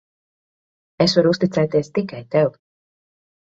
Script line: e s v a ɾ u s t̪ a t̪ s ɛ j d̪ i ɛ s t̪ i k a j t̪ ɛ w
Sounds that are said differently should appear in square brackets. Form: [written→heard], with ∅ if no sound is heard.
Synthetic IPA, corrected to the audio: e s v a ɾ u s t̪ [a→i] t̪ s ɛ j [d̪→t̪] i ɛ s t̪ i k a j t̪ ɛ w